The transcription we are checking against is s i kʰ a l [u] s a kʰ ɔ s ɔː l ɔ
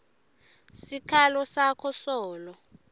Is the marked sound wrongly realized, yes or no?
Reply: yes